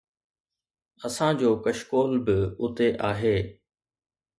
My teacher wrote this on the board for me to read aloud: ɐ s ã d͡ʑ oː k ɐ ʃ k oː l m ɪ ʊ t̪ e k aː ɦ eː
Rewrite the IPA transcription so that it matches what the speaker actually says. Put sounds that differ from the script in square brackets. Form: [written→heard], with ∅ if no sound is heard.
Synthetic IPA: ɐ s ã d͡ʑ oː k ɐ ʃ k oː l [m→b] ɪ ʊ t̪ e [k→ʔ] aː ɦ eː